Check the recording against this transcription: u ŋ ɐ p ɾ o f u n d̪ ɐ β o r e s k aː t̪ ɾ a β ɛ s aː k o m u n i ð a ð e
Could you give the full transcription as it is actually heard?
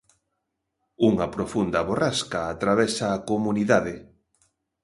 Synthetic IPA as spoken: u ŋ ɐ p ɾ o f u n d̪ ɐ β o r a s k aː t̪ ɾ a β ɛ s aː k o m u n i ð a ð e